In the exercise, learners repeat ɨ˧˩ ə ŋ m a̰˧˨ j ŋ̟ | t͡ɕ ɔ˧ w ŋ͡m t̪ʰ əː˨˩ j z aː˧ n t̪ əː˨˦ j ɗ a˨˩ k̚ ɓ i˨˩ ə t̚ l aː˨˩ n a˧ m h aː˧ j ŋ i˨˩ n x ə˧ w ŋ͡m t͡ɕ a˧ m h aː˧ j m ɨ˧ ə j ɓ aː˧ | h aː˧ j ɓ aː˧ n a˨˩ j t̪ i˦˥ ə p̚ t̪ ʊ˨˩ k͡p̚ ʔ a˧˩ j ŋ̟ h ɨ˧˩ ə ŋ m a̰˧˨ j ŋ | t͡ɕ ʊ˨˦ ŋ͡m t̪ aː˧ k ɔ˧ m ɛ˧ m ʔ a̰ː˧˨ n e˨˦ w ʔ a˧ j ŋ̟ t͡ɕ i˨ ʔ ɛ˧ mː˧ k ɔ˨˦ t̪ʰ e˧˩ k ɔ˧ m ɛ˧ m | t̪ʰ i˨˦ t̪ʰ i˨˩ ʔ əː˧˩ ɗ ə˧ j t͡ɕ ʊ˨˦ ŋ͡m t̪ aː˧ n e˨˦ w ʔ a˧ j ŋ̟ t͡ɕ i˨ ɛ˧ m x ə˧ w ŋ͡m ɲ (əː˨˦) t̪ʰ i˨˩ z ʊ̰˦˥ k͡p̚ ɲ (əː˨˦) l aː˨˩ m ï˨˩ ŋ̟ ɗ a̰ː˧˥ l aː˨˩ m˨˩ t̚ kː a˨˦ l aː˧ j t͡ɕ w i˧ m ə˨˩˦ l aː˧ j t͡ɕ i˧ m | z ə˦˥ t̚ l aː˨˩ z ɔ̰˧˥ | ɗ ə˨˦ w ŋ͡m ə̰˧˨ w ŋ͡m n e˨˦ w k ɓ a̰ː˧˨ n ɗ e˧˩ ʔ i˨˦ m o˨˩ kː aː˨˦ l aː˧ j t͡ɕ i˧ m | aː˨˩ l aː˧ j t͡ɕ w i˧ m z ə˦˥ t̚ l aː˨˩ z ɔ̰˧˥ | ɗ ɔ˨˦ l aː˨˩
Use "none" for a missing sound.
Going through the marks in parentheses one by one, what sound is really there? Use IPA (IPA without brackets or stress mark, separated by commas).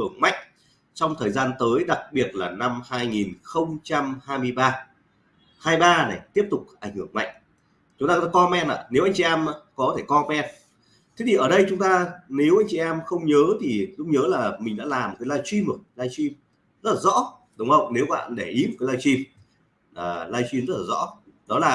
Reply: əː˨˦, əː˨˦